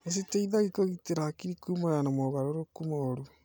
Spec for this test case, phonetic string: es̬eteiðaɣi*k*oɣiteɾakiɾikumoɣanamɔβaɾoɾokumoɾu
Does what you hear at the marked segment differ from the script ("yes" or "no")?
no